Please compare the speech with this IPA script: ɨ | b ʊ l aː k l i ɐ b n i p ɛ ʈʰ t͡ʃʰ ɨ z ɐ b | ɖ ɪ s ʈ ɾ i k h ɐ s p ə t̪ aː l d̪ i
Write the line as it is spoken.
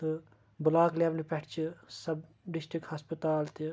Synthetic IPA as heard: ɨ | b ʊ l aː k l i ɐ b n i p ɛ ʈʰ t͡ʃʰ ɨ s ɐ b | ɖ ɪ s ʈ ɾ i k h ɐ s p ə t̪ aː l t̪ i